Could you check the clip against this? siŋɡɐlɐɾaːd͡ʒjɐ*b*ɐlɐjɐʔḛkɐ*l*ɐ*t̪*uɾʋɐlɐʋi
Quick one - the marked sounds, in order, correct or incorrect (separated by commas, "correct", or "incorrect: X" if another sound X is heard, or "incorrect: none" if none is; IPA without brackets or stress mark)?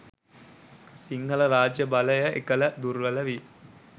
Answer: correct, correct, incorrect: d̪